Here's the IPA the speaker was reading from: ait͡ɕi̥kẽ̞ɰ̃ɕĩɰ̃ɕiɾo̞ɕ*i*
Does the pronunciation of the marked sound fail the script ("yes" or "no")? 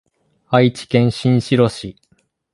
no